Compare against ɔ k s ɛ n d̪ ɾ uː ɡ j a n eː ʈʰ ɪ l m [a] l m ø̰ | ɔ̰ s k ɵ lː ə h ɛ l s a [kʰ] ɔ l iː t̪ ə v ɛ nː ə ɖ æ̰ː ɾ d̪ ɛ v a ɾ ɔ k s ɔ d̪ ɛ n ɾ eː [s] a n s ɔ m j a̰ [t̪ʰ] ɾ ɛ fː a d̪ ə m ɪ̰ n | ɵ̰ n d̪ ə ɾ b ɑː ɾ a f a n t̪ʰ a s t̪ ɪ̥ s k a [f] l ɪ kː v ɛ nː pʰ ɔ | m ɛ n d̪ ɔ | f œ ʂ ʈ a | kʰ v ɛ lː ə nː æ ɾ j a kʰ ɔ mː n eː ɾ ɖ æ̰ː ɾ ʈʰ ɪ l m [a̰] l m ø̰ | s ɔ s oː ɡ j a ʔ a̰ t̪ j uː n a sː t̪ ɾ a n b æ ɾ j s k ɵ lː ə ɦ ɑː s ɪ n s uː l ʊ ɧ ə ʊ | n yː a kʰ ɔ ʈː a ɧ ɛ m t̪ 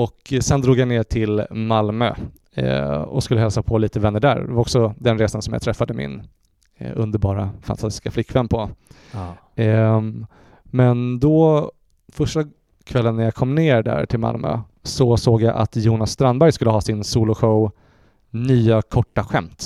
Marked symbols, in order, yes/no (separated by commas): yes, no, yes, yes, yes, yes